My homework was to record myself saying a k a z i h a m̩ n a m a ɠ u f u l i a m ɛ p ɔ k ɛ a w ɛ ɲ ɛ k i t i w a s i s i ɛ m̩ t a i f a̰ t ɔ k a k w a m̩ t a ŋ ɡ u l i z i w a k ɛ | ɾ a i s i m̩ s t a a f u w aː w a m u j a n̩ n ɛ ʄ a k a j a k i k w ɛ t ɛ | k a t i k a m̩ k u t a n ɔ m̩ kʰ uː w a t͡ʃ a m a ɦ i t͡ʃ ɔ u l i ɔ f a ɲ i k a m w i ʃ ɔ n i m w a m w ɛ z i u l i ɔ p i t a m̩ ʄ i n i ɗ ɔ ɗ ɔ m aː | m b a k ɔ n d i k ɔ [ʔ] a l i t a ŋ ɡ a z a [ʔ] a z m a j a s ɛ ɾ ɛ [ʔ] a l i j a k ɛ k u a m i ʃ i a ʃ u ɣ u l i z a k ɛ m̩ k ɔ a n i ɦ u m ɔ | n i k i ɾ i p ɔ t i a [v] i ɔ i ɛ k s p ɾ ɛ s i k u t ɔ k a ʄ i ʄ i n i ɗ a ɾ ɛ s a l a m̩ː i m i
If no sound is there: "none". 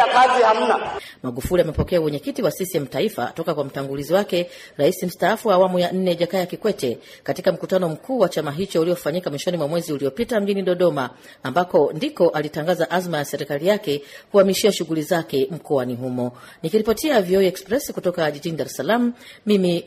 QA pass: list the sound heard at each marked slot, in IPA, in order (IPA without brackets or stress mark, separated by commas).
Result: ʔ, ʔ, k, v